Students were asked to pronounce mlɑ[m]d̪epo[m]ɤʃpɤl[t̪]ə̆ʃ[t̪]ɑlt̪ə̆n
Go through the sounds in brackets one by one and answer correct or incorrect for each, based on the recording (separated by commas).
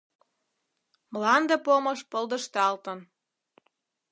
incorrect, correct, incorrect, correct